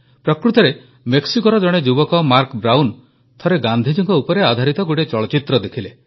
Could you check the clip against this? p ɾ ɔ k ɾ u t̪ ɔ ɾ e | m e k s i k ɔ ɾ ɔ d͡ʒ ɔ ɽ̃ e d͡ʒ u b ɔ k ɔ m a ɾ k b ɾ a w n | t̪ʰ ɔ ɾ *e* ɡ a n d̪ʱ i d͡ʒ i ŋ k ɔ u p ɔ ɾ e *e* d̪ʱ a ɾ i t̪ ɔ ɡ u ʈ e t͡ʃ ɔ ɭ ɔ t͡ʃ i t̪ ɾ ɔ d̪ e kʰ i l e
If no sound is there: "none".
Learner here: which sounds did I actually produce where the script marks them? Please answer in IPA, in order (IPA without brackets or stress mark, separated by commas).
e, a